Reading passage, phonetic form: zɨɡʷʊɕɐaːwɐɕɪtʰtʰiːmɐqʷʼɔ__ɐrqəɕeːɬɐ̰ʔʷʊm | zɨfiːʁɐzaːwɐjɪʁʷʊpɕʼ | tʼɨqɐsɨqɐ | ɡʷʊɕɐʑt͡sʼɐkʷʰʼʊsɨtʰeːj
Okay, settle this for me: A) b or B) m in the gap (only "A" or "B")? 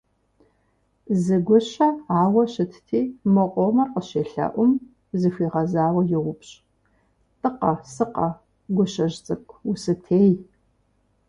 B